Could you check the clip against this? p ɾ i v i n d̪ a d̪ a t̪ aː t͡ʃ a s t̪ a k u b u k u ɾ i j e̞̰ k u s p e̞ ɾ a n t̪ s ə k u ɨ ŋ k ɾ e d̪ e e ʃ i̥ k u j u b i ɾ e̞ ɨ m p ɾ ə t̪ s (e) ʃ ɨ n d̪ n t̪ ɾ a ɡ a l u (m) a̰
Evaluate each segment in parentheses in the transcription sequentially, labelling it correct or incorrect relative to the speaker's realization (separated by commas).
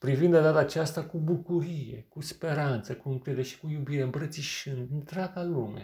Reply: incorrect, correct